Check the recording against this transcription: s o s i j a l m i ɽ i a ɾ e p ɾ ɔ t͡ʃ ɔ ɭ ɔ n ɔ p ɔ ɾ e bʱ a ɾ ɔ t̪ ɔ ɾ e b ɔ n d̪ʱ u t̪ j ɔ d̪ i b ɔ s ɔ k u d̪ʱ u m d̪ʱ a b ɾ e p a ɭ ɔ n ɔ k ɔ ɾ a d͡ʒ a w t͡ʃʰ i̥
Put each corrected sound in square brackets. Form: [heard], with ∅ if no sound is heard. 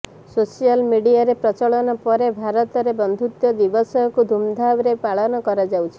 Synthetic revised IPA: s o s i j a l m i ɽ i a ɾ e p ɾ ɔ t͡ʃ ɔ ɭ ɔ n ɔ p ɔ ɾ e bʱ a ɾ ɔ t̪ ɔ ɾ e b ɔ n d̪ʱ u t̪ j ɔ d̪ i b ɔ s ɔ k u d̪ʱ u m d̪ʱ a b ɾ e p a ɭ ɔ n ɔ k ɔ ɾ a d͡ʒ a w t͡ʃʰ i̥

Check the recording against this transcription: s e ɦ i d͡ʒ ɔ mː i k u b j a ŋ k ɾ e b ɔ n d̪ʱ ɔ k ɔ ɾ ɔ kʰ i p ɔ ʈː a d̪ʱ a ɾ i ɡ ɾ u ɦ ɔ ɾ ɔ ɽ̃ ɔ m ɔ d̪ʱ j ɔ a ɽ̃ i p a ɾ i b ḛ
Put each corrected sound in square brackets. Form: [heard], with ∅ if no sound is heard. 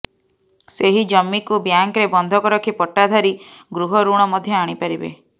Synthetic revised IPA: s e ɦ i d͡ʒ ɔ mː i k u b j a ŋ k ɾ e b ɔ n d̪ʱ ɔ k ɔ ɾ ɔ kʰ i p ɔ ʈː a d̪ʱ a ɾ i ɡ ɾ u ɦ ɔ ɾ [u] ɽ̃ ɔ m ɔ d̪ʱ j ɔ a ɽ̃ i p a ɾ i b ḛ

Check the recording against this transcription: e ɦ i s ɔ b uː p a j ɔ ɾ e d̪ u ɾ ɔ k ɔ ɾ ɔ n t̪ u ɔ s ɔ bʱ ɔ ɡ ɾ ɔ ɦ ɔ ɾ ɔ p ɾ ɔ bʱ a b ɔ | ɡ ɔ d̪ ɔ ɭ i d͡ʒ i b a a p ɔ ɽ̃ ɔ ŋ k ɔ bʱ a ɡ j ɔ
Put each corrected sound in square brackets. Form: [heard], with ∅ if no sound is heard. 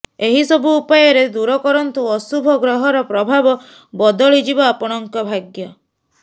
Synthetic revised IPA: e ɦ i s ɔ b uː p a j ɔ ɾ e d̪ u ɾ ɔ k ɔ ɾ ɔ n t̪ u ɔ s [u] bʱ ɔ ɡ ɾ ɔ ɦ ɔ ɾ ɔ p ɾ ɔ bʱ a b ɔ | [b] ɔ d̪ ɔ ɭ i d͡ʒ i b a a p ɔ ɽ̃ ɔ ŋ k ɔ bʱ a ɡ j ɔ

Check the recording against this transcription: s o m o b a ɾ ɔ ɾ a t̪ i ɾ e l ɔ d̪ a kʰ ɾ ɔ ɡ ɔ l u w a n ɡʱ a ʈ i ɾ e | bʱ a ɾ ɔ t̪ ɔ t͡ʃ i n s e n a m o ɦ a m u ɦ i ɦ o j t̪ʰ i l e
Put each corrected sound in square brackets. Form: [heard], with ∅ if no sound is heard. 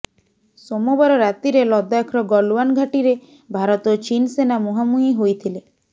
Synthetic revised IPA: s o m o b a ɾ ɔ ɾ a t̪ i ɾ e l ɔ d̪ a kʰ ɾ ɔ ɡ ɔ l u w a n ɡʱ a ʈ i ɾ e | bʱ a ɾ ɔ t̪ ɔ t͡ʃ i n s e n a m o ɦ a m u ɦ i ɦ o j t̪ʰ i l e

